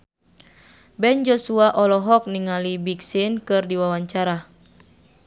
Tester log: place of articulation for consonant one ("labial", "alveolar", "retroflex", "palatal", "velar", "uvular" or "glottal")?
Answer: labial